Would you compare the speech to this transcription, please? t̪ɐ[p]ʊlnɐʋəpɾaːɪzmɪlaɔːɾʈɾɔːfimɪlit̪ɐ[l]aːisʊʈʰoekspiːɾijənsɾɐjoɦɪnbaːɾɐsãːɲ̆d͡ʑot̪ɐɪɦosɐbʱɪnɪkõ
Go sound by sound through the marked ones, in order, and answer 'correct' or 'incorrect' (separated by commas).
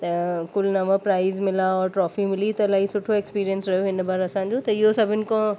incorrect, correct